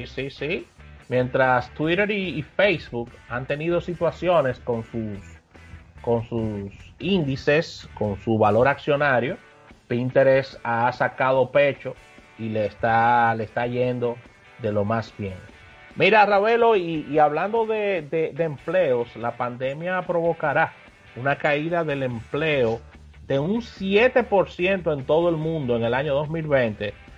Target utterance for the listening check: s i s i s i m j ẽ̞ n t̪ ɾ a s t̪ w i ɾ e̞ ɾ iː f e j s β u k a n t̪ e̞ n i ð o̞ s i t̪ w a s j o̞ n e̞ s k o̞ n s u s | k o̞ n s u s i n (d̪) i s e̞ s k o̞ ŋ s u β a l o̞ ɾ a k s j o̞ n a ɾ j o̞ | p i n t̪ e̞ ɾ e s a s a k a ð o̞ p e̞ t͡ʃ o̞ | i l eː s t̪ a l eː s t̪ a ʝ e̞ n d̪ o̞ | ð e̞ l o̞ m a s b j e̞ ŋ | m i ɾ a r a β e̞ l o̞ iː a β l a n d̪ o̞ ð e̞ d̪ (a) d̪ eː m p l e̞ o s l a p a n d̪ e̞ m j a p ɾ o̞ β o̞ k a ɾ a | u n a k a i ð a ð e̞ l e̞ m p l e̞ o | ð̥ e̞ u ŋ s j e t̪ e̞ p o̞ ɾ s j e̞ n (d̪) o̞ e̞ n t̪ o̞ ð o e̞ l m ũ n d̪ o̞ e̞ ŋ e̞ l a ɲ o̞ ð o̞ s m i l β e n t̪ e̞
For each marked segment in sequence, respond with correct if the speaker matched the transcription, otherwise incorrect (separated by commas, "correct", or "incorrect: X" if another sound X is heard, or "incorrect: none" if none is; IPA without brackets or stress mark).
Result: correct, incorrect: e, incorrect: t̪